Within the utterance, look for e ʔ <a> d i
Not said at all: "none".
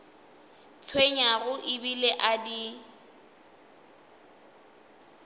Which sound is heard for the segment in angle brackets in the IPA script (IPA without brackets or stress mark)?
a